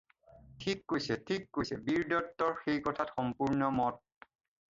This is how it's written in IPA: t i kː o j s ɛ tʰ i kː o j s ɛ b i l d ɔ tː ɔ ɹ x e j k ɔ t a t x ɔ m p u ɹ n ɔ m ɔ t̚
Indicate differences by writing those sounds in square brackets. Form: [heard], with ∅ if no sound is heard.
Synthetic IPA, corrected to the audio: [tʰ] i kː o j s ɛ tʰ i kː o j s ɛ b i [ɹ] d ɔ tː ɔ ɹ x e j k ɔ [tʰ] a t x ɔ m p u ɹ n ɔ m ɔ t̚